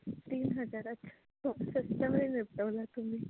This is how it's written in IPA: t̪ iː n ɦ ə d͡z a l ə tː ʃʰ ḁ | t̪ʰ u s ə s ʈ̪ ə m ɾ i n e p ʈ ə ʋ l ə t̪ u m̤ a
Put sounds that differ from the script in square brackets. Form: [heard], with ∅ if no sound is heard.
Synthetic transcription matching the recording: t̪ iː n ɦ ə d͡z a [ɾ] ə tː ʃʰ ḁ | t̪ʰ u s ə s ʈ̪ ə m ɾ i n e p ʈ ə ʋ l [a] t̪ u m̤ [i]